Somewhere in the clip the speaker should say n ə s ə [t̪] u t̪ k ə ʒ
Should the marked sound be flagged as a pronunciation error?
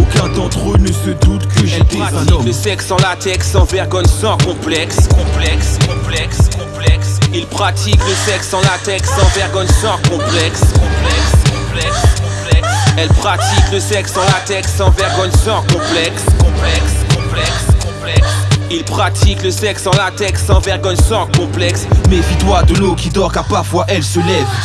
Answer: yes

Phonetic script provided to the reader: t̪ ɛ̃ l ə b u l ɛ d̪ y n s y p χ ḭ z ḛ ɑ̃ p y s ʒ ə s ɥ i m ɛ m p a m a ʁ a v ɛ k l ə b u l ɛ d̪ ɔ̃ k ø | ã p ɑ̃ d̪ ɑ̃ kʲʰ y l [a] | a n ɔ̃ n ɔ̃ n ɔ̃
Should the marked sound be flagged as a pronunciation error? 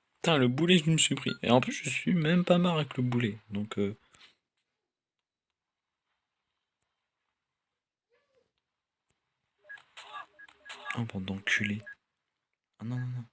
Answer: yes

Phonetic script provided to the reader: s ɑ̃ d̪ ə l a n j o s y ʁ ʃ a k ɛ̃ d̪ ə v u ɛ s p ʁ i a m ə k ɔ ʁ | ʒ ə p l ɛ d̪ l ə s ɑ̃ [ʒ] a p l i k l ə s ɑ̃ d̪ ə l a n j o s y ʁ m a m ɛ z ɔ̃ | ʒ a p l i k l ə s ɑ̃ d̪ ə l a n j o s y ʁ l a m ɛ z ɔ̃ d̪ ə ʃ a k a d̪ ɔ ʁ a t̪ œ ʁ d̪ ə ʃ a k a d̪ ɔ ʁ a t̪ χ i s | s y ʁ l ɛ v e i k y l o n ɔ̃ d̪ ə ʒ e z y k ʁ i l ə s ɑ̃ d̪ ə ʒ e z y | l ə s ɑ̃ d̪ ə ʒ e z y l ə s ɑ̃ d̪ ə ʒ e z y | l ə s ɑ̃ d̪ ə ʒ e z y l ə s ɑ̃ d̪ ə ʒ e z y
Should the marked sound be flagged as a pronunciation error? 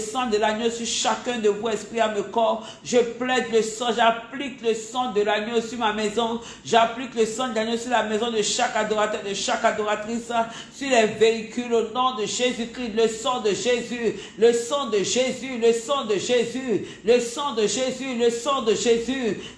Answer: no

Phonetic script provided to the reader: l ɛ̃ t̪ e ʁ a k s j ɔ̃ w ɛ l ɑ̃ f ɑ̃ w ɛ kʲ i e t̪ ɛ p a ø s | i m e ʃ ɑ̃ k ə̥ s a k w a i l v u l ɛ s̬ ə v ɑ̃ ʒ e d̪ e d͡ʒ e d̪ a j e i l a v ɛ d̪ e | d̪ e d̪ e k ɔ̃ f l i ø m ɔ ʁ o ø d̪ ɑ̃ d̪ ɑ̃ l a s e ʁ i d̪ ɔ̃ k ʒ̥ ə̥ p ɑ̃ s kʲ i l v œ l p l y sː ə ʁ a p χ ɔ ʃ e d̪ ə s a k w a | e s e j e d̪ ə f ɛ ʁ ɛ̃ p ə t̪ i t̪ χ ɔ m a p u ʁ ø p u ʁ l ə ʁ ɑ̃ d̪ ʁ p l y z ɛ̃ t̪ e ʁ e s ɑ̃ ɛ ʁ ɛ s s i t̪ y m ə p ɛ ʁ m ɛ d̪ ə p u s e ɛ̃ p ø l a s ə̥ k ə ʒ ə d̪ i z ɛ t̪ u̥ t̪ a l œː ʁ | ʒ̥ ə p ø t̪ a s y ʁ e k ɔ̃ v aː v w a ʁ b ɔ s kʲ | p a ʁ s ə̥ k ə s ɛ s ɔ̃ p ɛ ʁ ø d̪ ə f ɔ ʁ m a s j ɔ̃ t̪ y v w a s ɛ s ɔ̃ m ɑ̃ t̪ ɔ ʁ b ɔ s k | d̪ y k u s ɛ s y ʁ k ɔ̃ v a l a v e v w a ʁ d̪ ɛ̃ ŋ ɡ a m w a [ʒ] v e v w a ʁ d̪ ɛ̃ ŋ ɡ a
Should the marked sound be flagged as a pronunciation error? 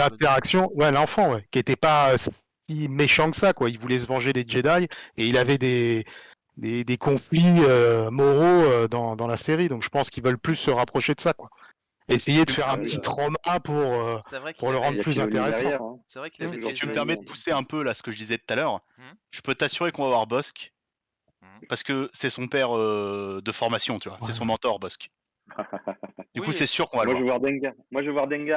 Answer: no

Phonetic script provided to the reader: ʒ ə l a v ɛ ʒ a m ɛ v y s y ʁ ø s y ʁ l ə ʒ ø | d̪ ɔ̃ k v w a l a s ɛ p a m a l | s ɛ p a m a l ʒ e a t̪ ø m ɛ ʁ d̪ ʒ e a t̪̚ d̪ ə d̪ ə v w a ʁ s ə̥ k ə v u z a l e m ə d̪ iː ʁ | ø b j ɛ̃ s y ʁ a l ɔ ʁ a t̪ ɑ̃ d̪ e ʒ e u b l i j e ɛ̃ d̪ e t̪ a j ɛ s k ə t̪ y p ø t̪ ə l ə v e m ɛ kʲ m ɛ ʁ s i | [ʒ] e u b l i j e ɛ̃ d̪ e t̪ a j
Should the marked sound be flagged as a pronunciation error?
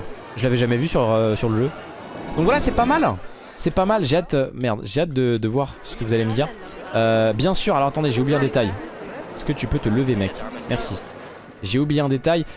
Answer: no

